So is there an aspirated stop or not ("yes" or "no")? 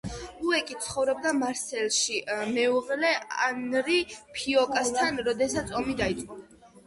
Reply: yes